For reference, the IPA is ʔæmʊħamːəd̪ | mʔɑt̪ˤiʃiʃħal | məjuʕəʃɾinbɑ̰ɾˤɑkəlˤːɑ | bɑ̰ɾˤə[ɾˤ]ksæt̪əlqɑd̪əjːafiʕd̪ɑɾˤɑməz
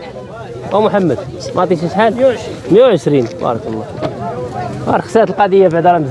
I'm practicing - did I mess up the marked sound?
yes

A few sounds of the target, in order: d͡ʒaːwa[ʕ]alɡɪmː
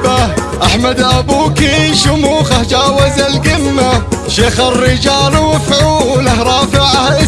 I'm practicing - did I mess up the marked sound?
yes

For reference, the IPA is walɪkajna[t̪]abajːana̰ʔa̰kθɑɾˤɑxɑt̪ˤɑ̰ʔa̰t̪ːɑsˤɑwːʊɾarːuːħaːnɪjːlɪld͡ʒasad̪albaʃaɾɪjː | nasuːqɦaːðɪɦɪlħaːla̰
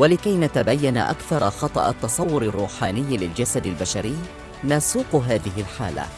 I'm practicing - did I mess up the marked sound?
no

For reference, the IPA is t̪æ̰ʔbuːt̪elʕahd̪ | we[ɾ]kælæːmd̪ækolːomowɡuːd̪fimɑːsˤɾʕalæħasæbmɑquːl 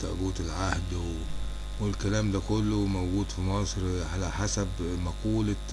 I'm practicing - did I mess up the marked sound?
yes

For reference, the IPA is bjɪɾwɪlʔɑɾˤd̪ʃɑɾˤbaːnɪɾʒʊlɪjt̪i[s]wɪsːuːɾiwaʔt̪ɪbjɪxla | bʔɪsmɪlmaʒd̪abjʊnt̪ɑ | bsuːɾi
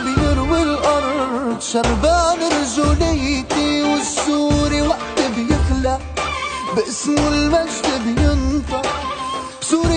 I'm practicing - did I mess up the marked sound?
yes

